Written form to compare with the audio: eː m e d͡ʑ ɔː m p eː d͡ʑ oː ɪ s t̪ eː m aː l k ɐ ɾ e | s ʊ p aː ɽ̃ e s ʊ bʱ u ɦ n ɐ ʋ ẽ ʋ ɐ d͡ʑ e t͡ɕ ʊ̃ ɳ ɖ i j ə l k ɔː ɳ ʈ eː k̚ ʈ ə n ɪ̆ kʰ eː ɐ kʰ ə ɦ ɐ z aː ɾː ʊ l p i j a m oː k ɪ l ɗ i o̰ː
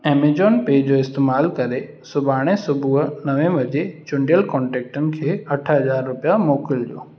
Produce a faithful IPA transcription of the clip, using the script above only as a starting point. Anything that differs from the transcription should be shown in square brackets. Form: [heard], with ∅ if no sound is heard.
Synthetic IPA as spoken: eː m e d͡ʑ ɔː [n] p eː d͡ʑ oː ɪ s t̪ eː m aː l k ɐ ɾ e | s ʊ [b] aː ɽ̃ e s ʊ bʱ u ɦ n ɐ ʋ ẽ ʋ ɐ d͡ʑ e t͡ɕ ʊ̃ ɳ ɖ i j ə l k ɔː ɳ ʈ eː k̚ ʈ ə n ɪ̆ kʰ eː ɐ [ʈʰ] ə ɦ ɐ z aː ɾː ʊ [∅] p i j a m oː k ɪ l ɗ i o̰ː